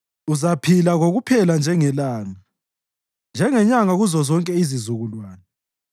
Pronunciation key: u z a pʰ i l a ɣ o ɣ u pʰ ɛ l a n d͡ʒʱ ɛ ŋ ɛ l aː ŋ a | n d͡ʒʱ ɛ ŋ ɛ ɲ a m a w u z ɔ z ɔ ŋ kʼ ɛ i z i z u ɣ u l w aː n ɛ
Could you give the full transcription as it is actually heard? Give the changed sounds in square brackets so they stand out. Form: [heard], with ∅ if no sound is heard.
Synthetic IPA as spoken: u z a pʰ i l a ɣ o ɣ u pʰ ɛ l a n d͡ʒʱ ɛ ŋ ɛ l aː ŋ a | n d͡ʒʱ ɛ ŋ ɛ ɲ a [ŋ] a [ɣ] u z ɔ z ɔ ŋ kʼ ɛ i z i z u ɣ u l w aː n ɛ